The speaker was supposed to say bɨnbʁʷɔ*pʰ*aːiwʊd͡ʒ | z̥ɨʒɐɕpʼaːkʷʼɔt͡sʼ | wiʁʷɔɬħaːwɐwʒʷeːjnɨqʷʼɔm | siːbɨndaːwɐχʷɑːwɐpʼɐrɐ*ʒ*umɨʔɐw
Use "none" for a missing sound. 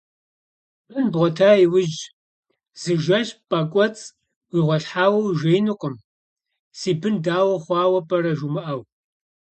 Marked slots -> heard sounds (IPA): tʰ, ʒ

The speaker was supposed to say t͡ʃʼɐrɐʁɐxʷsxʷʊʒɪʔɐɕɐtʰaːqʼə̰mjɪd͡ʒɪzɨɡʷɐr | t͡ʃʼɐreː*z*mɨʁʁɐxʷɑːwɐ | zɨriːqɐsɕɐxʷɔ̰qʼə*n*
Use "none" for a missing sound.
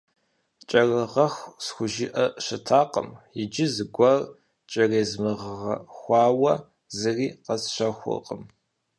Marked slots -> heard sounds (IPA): z, m

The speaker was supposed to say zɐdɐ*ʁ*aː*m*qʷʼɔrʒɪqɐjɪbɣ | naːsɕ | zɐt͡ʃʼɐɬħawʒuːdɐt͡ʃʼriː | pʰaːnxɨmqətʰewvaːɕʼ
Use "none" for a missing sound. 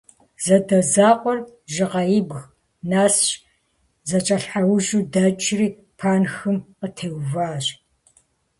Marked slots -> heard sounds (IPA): z, none

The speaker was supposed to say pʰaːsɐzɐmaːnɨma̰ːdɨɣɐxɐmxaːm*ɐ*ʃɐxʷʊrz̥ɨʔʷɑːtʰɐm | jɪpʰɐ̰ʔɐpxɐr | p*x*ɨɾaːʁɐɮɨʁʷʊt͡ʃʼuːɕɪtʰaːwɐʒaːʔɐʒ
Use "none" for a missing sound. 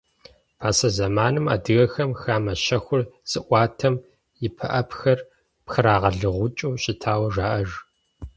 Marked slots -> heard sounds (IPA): ɐ, x

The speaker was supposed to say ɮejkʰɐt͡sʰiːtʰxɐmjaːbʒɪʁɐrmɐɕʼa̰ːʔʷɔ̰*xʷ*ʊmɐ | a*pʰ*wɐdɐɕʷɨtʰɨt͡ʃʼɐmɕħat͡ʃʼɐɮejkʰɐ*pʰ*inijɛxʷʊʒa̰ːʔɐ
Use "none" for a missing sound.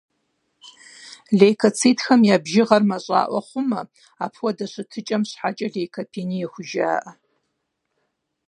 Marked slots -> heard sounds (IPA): χʷ, pʰ, pʰ

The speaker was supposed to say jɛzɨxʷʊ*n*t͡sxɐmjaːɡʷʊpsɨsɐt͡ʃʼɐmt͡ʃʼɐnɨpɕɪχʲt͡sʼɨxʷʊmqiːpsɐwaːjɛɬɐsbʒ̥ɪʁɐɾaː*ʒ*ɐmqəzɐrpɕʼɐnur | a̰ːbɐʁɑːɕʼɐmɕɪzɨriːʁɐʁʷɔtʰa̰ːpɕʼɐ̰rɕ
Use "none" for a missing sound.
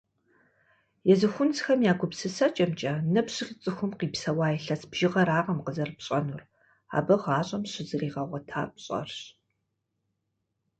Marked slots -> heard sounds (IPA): n, ʁ

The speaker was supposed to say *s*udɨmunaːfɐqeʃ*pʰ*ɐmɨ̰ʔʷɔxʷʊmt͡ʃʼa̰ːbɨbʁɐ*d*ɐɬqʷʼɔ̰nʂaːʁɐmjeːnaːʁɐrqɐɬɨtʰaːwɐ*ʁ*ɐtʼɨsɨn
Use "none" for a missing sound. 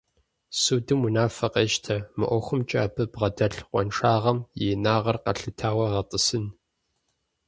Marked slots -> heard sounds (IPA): s, tʰ, d, ʁ

